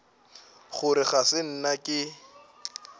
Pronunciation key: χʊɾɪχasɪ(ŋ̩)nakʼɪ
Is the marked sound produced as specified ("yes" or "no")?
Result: no